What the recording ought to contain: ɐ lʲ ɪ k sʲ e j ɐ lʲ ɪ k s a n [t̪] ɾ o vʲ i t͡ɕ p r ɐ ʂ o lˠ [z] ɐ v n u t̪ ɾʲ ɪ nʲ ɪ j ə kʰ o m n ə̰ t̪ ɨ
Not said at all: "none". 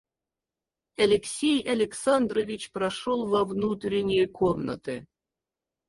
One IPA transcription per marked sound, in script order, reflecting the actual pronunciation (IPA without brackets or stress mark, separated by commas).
d̪, v